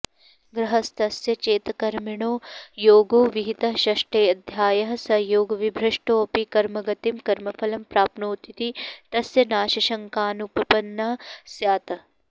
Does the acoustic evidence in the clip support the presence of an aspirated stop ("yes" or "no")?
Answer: no